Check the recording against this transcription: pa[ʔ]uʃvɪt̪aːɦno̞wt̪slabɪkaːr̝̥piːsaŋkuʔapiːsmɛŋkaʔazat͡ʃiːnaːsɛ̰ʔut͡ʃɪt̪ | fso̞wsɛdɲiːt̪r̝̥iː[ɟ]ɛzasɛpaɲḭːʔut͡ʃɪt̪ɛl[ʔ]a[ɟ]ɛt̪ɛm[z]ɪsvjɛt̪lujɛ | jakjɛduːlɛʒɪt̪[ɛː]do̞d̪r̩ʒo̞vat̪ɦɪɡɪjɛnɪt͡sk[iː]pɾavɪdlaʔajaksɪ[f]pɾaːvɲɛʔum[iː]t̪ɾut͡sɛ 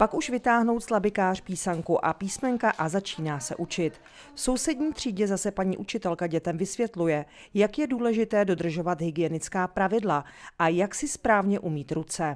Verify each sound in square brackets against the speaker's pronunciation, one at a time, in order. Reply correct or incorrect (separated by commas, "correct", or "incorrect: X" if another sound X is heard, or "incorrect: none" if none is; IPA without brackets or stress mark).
incorrect: k, correct, incorrect: k, correct, incorrect: v, correct, incorrect: aː, incorrect: s, correct